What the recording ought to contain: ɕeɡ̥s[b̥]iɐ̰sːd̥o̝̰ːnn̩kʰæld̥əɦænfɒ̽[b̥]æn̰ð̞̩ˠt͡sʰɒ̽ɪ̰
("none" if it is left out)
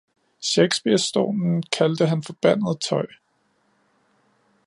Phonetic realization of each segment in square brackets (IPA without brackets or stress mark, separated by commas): b̥, b̥